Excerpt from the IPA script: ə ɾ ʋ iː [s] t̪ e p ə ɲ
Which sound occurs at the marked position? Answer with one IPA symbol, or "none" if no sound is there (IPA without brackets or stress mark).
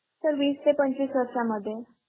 s